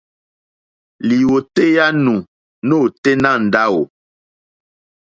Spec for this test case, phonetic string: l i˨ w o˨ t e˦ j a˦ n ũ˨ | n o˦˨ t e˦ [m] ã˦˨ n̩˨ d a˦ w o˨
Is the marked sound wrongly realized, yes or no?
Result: yes